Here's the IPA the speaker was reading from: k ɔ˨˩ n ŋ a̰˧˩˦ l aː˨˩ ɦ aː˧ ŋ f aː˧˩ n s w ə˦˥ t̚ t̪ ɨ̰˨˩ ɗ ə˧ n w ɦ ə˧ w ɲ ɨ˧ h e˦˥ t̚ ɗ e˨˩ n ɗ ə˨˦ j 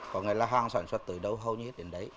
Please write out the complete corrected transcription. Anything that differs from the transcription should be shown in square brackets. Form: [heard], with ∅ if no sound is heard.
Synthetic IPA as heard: k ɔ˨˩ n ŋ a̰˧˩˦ l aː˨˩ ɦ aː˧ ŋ [s] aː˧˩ n s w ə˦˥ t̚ t̪ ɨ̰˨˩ ɗ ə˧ [∅] w ɦ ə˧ w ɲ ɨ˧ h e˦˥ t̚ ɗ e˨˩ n ɗ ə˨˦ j